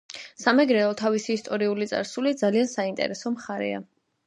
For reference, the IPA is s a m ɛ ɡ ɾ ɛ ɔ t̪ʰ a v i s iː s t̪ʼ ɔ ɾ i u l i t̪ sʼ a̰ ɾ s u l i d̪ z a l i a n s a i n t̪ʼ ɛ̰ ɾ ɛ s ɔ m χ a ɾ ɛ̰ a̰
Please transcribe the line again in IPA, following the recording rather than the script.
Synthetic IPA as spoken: s a m ɛ ɡ ɾ ɛ ɔ t̪ʰ a v i s iː s t̪ʼ ɔ ɾ i u l i t̪ sʼ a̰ ɾ s u l i d̪ z a l i a n s a i n t̪ʼ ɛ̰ ɾ ɛ s ɔ m χ a ɾ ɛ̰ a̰

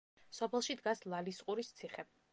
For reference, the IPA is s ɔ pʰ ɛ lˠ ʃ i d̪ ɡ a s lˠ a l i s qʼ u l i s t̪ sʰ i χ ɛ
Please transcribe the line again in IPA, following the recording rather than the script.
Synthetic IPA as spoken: s ɔ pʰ ɛ lˠ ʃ i d̪ ɡ a s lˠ a l i s qʼ u ɾ i s t̪ sʰ i χ ɛ

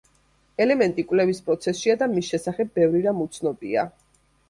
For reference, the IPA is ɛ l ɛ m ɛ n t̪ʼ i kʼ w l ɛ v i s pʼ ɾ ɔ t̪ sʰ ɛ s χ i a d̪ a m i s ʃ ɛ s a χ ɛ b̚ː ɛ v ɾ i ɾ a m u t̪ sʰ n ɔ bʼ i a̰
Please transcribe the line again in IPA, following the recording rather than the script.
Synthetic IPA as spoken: ɛ l ɛ m ɛ n t̪ʼ i kʼ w l ɛ v i s pʼ ɾ ɔ t̪ sʰ ɛ s ʃ i a d̪ a m i s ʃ ɛ s a χ ɛ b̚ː ɛ v ɾ i ɾ a m u t̪ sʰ n ɔ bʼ i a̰

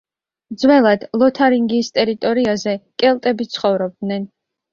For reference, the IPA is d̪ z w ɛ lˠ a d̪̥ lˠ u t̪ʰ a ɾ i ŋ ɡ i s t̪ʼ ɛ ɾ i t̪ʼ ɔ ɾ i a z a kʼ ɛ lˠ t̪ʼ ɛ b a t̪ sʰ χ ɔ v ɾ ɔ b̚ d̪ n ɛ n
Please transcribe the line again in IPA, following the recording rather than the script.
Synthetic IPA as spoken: d̪ z w ɛ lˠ a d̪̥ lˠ ɔ t̪ʰ a ɾ i ŋ ɡ i s t̪ʼ ɛ ɾ i t̪ʼ ɔ ɾ i a z ɛ kʼ ɛ lˠ t̪ʼ ɛ b i t̪ sʰ χ ɔ v ɾ ɔ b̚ d̪ n ɛ n

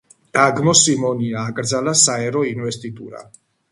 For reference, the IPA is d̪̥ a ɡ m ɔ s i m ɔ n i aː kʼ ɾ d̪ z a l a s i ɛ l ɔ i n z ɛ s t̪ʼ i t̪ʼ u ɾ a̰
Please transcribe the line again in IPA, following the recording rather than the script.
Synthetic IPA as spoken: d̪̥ a ɡ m ɔ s i m ɔ n i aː kʼ ɾ d̪ z a l a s a ɛ ɾ ɔ i n v ɛ s t̪ʼ i t̪ʼ u ɾ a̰

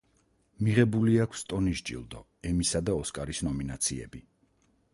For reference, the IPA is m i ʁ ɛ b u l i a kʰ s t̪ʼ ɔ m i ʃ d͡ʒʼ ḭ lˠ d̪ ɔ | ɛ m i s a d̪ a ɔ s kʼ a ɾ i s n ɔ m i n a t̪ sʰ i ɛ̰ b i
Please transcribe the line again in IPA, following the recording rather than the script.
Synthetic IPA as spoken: m i ʁ ɛ b u l i a kʰ s t̪ʼ ɔ n i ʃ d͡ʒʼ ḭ lˠ d̪ ɔ | ɛ m i s a d̪ a ɔ s kʼ a ɾ i s n ɔ m i n a t̪ sʰ i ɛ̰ b i

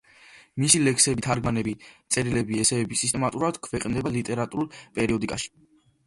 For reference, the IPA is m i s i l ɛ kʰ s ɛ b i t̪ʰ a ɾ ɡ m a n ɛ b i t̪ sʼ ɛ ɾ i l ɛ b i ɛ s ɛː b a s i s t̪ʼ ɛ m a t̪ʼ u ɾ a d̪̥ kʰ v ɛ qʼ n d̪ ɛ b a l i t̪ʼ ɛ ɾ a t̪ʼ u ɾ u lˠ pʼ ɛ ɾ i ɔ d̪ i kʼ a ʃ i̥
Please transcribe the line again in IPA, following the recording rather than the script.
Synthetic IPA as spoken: m i s i l ɛ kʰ s ɛ b i t̪ʰ a ɾ ɡ m a n ɛ b i t̪ sʼ ɛ ɾ i l ɛ b i ɛ s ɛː b i s i s t̪ʼ ɛ m a t̪ʼ u ɾ a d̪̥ kʰ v ɛ qʼ n d̪ ɛ b a l i t̪ʼ ɛ ɾ a t̪ʼ u ɾ u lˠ pʼ ɛ ɾ i ɔ d̪ i kʼ a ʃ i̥

